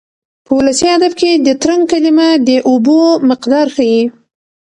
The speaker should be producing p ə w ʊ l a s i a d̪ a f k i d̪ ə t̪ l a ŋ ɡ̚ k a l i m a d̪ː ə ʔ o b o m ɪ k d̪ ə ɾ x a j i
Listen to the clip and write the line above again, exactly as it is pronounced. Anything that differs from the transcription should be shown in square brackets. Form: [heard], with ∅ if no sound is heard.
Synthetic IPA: p ə w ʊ l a s i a d̪ a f k [e] d̪ ə t̪ [ɾ] a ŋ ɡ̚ k a l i m a [d̪] ə ʔ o b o m ɪ [q] d̪ [ɑ] ɾ x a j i